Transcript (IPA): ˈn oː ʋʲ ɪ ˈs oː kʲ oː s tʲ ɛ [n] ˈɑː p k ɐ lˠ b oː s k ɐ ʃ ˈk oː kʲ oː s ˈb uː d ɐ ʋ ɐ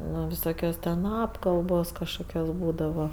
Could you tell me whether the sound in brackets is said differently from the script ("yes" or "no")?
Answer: no